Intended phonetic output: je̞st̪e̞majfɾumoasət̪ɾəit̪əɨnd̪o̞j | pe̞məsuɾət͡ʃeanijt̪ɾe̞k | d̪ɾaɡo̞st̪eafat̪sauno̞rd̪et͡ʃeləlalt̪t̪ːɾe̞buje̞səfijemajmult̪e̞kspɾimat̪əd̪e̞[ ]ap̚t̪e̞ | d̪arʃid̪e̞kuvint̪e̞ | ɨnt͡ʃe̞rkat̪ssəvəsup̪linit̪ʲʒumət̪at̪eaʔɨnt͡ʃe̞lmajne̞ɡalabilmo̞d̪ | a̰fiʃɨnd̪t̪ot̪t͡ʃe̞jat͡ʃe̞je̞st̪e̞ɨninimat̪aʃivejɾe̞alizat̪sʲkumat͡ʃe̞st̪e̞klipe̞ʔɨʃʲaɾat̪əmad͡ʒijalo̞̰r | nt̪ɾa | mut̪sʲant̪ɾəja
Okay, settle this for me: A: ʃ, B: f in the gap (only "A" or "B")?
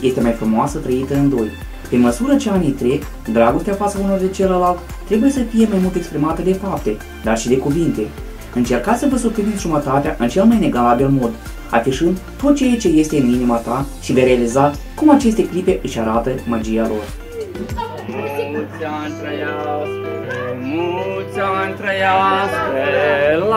B